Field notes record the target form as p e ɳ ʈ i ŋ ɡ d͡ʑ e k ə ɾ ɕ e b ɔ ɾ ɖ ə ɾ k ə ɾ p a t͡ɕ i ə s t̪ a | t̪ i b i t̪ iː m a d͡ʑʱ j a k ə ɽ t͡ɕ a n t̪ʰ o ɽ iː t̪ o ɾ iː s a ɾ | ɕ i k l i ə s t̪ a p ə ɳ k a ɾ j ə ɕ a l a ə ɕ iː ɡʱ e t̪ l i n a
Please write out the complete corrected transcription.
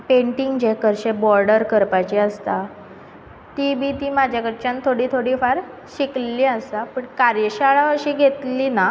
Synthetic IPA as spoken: p e ɳ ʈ i ŋ ɡ d͡ʑ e k ə ɾ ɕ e b ɔ ɾ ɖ ə ɾ k ə ɾ p a t͡ɕ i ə s t̪ a | t̪ i b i t̪ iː m a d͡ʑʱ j a k ə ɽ t͡ɕ a n t̪ʰ o ɽ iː t̪ʰ o ɽ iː f a ɾ | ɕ i k l i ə s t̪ a p ə ɳ k a ɾ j ə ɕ a ɭ a ə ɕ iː ɡʱ e t̪ l i n a